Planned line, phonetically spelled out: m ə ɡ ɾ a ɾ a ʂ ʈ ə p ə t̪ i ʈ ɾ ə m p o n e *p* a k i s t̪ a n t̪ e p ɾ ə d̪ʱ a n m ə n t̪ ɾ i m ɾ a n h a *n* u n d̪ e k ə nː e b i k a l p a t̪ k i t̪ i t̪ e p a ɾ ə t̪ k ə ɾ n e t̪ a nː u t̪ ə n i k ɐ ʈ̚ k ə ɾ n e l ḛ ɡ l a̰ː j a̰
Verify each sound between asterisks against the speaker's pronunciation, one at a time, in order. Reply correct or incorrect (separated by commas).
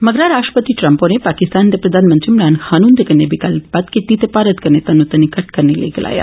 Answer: correct, correct